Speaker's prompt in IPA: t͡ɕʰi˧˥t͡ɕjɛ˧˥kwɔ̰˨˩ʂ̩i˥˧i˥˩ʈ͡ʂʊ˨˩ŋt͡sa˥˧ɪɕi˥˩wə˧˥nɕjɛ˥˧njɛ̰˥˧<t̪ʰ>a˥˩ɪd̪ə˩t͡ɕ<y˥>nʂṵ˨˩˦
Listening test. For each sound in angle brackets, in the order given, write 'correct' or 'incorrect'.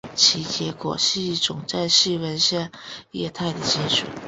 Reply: correct, incorrect

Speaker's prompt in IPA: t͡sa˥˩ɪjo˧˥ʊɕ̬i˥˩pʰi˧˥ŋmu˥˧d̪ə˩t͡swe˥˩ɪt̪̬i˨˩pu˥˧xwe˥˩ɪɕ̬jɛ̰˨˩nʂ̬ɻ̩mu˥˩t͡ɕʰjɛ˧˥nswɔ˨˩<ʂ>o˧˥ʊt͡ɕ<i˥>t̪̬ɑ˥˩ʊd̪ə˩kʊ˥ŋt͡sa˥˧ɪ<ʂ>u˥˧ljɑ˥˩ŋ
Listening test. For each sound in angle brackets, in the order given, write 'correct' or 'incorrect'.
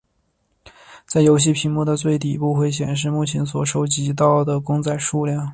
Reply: correct, incorrect, correct

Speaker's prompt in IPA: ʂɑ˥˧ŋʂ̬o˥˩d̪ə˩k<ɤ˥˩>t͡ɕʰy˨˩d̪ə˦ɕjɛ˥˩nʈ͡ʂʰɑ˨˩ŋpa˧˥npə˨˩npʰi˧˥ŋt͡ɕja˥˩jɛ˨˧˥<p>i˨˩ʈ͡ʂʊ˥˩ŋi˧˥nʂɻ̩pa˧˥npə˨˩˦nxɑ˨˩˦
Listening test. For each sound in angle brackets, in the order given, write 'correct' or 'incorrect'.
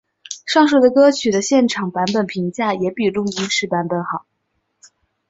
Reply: incorrect, correct

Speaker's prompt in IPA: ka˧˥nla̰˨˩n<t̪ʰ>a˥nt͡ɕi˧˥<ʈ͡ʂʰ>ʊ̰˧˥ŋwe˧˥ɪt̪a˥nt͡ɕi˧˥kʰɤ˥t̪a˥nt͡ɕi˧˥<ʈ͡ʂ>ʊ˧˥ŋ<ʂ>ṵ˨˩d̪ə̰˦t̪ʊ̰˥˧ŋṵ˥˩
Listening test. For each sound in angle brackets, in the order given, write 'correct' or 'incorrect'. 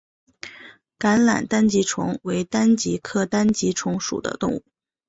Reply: incorrect, correct, incorrect, correct

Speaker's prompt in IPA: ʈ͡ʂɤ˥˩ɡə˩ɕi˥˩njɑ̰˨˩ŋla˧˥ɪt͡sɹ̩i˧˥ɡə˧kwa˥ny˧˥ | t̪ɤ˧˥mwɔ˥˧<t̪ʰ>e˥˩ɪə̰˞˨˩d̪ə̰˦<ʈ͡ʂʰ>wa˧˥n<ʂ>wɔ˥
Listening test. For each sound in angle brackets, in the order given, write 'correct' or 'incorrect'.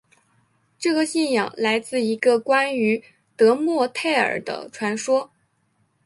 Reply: correct, correct, correct

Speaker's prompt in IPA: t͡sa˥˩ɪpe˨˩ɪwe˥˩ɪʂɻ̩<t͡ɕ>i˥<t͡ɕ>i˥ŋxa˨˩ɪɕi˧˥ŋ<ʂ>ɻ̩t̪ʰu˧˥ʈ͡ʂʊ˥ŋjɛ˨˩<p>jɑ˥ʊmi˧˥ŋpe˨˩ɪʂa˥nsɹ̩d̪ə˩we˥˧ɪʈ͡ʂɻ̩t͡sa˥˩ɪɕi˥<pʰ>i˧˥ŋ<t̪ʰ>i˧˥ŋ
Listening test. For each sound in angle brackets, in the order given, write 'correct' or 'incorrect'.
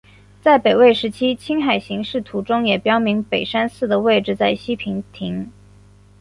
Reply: incorrect, incorrect, correct, correct, correct, correct

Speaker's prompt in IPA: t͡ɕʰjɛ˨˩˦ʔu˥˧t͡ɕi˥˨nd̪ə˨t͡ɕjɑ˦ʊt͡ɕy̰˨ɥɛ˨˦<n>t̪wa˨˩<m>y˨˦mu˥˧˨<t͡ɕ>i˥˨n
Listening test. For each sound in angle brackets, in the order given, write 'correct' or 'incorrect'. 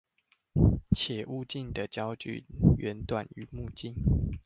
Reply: correct, incorrect, correct

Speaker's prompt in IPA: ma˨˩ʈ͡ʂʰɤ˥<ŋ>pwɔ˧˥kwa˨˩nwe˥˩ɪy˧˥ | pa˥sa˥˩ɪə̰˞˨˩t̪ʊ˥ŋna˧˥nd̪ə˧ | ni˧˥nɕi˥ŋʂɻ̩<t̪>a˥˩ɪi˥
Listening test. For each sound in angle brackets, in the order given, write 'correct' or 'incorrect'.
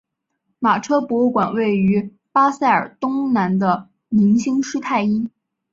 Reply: incorrect, incorrect

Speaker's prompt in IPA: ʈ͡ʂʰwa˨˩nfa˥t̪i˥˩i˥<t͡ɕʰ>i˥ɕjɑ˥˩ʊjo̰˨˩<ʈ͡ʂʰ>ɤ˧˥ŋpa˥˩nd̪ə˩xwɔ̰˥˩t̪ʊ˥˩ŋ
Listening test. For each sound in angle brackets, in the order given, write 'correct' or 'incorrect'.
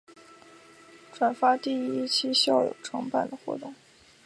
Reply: correct, correct

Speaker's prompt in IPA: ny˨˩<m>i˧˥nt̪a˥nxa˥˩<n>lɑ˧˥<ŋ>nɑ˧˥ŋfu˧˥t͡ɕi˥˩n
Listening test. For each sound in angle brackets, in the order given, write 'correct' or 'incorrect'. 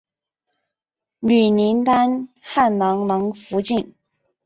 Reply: incorrect, correct, correct

